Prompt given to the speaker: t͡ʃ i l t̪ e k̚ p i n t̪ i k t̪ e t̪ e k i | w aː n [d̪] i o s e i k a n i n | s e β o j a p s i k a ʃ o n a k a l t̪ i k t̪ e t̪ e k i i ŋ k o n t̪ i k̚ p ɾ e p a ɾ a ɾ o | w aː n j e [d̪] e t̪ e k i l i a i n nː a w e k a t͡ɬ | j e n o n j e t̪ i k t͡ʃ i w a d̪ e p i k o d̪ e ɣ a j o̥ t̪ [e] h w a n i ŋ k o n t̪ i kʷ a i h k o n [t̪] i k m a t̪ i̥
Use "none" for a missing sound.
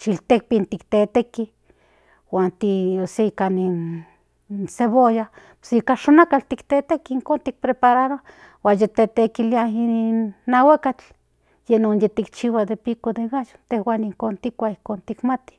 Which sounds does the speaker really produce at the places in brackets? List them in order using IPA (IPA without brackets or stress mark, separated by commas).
t̪, t̪, e, t̪